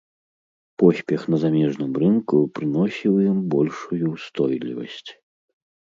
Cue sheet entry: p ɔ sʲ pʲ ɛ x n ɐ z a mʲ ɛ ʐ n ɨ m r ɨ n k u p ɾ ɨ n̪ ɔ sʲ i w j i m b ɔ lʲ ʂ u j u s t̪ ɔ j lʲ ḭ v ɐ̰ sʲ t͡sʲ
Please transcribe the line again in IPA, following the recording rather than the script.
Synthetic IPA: p ɔ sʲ pʲ ɛ x n ɐ z a mʲ ɛ ʐ n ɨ m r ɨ n k u p ɾ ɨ n̪ ɔ sʲ i w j i m b ɔ lʲ ʂ u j u s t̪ ɔ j lʲ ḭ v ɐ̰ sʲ t͡sʲ